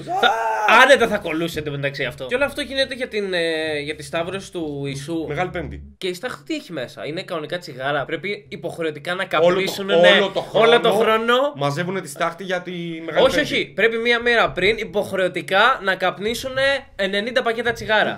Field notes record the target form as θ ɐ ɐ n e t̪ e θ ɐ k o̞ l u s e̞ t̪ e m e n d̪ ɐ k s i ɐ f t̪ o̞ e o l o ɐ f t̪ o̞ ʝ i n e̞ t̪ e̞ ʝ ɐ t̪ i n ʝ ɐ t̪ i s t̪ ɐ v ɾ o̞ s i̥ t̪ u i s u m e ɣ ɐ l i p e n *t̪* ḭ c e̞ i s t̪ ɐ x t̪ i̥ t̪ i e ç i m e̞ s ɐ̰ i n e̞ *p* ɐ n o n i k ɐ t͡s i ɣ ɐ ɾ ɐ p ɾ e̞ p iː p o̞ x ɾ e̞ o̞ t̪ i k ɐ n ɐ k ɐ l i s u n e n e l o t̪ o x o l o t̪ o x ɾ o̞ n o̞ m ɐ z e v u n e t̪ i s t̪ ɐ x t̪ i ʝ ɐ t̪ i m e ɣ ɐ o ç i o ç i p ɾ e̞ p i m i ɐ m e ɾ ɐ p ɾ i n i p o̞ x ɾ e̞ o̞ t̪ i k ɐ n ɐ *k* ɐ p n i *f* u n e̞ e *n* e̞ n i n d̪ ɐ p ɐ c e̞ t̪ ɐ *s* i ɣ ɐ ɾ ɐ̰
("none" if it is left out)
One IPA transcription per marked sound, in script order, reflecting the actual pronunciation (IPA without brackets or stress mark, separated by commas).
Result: d̪, k, k, s, n, t͡s